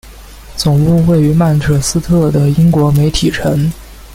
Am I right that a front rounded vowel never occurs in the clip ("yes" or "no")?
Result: no